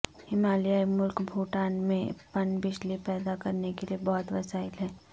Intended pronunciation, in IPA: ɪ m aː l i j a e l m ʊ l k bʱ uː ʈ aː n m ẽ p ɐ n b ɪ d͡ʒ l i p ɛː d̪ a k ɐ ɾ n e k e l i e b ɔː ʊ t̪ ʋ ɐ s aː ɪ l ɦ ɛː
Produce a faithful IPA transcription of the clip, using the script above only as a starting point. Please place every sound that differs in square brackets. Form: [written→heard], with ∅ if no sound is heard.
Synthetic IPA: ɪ m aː l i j a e [l→∅] m ʊ l k bʱ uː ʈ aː n m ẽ p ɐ n b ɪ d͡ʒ l i p ɛː d̪ a k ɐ ɾ n e k e l i e b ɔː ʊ t̪ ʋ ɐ s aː ɪ l ɦ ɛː